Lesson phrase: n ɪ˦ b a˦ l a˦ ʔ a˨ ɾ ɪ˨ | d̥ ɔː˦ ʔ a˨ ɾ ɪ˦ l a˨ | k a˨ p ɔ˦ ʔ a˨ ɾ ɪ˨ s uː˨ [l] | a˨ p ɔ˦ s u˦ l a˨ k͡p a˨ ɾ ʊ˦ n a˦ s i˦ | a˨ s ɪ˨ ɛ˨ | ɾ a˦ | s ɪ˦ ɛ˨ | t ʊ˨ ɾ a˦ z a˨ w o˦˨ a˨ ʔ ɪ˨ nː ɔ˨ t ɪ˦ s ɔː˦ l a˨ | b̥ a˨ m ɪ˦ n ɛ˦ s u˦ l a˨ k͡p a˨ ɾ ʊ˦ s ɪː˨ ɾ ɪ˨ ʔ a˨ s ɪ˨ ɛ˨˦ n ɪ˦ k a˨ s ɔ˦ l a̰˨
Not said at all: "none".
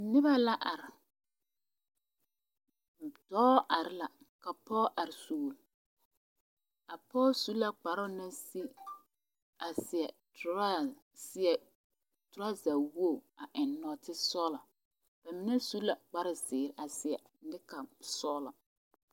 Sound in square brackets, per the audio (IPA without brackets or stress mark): l